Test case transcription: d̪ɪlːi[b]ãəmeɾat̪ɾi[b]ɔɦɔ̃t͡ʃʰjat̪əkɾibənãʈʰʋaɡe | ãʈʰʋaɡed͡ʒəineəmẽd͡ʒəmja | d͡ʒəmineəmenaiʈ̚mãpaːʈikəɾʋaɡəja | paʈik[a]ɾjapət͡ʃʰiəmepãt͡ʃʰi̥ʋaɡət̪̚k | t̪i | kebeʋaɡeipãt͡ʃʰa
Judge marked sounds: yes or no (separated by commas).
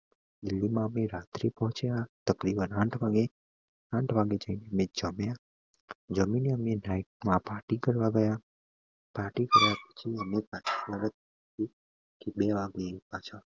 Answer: no, no, no